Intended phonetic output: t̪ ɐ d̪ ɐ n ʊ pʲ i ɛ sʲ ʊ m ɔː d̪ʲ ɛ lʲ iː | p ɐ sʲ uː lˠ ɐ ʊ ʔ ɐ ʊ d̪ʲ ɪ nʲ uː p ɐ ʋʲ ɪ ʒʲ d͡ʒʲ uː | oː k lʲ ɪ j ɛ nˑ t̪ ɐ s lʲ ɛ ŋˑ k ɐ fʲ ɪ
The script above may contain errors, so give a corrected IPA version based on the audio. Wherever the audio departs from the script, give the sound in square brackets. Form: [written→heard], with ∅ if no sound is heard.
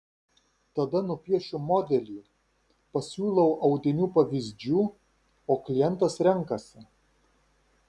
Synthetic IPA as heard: t̪ ɐ d̪ ɐ n ʊ pʲ i ɛ [sʲ→ʃʲ] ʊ m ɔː d̪ʲ ɛ lʲ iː | p ɐ sʲ uː lˠ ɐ ʊ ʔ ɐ ʊ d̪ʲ ɪ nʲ uː p ɐ ʋʲ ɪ [ʒʲ→zʲ] d͡ʒʲ uː | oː k lʲ ɪ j ɛ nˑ t̪ ɐ s [lʲ→ɾʲ] ɛ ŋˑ k ɐ [fʲ→sʲ] ɪ